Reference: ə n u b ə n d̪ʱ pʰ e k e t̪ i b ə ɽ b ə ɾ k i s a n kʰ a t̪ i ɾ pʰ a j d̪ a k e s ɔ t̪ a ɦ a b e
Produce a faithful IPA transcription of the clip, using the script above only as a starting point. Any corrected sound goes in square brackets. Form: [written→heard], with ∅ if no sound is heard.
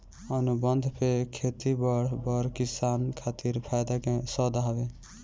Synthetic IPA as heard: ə n u b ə n d̪ʱ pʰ e [k→kʰ] e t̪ i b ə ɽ b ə ɾ k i s a n kʰ a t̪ i ɾ pʰ a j d̪ a k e s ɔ [t̪→d̪] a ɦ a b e